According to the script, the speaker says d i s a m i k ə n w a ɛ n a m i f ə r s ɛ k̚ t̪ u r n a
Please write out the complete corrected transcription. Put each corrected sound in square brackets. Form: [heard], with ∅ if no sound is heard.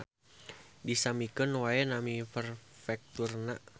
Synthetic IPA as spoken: d i s a m i k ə n w a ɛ n a m i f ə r [f] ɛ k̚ t̪ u r n a